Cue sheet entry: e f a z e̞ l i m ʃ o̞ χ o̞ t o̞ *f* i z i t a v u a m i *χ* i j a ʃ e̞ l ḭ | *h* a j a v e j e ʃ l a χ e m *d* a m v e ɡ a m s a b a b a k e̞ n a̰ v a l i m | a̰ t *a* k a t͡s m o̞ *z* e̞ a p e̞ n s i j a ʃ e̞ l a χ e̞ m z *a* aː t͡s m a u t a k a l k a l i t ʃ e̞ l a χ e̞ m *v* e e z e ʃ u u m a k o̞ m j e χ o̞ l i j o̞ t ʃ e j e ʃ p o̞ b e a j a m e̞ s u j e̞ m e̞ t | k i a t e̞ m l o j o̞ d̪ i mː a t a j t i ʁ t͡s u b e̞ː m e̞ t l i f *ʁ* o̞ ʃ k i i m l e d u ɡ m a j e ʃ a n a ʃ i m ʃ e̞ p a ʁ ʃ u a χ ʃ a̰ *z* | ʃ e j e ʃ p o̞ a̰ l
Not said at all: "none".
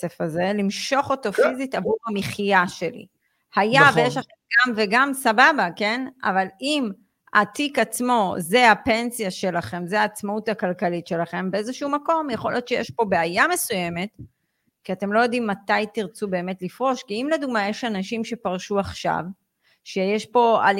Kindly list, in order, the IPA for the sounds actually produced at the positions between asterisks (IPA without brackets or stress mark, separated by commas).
f, χ, h, ɡ, i, z, e, b, ʁ, v